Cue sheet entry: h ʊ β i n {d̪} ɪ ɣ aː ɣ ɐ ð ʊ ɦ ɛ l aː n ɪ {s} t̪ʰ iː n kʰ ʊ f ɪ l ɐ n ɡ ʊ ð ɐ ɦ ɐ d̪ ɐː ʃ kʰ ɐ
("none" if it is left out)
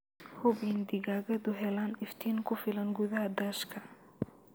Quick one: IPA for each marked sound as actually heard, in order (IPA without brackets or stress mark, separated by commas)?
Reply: d̪, f